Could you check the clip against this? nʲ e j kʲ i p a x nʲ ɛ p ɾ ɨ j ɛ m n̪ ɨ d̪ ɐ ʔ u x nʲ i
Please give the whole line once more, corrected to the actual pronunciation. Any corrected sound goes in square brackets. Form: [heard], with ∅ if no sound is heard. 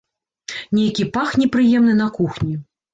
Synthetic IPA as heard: nʲ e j kʲ i p a x nʲ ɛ p ɾ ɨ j ɛ m n̪ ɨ [n̪] ɐ [k] u x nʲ i